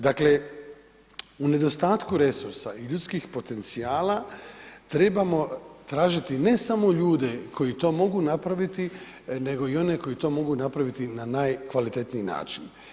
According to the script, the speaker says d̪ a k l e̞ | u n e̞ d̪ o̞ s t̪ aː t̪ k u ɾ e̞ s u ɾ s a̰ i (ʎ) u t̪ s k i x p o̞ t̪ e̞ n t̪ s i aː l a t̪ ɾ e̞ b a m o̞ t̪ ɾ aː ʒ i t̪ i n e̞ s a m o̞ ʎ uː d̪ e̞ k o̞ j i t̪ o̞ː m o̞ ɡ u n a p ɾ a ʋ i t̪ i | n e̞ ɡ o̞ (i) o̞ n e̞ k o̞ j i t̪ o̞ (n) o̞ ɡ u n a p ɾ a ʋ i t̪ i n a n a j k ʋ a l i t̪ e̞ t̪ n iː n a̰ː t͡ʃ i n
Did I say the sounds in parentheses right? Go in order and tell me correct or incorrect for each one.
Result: correct, correct, incorrect: m

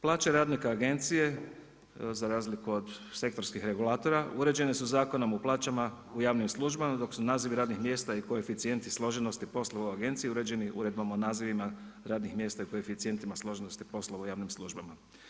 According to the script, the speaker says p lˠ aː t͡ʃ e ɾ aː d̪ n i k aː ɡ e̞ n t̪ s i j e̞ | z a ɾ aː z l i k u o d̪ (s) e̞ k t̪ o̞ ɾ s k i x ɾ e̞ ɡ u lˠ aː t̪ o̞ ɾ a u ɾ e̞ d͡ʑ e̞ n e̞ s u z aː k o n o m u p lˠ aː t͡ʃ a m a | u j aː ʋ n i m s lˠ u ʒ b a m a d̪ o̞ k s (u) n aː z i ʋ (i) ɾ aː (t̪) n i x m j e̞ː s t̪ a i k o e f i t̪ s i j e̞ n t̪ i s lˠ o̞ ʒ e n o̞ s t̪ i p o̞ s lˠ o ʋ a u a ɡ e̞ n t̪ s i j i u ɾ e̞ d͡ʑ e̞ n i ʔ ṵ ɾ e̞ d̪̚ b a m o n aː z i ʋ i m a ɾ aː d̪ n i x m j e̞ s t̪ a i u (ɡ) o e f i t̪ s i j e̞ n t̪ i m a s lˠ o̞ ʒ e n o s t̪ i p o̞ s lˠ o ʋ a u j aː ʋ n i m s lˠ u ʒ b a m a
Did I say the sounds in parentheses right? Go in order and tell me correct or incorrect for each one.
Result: correct, correct, correct, incorrect: d̪, incorrect: k

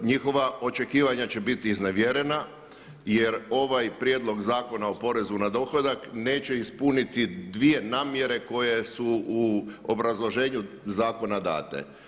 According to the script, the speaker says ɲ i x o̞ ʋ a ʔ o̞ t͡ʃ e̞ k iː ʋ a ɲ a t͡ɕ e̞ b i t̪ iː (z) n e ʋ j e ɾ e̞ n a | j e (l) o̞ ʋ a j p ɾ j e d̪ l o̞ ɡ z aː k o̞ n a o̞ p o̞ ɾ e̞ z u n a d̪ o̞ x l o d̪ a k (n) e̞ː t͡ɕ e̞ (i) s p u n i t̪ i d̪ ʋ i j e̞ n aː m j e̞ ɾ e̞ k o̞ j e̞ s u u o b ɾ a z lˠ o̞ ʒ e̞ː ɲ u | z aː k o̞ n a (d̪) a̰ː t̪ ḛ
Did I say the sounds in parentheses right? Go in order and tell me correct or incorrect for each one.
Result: correct, incorrect: ɾ, correct, correct, correct

